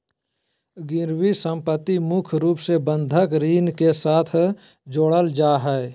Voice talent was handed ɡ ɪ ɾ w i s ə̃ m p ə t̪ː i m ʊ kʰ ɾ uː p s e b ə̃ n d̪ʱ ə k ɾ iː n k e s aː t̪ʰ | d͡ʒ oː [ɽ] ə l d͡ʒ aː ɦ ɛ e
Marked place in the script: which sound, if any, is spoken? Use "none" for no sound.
ɽ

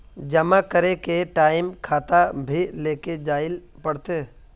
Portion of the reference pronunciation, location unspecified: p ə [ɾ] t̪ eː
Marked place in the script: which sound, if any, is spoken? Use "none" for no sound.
ɽ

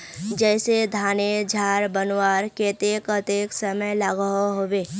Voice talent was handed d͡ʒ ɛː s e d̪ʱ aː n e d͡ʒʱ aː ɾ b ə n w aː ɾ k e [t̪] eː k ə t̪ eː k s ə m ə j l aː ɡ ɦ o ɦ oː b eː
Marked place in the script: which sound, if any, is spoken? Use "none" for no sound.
t̪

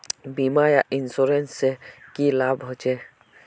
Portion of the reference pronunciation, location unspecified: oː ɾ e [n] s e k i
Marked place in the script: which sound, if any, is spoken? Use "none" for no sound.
n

